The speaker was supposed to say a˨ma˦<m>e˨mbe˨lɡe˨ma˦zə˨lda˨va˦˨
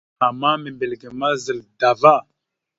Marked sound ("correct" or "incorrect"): correct